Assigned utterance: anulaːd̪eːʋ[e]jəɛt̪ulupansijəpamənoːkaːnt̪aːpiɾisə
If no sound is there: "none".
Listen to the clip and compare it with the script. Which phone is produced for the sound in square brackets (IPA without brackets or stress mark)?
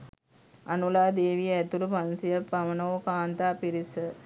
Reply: i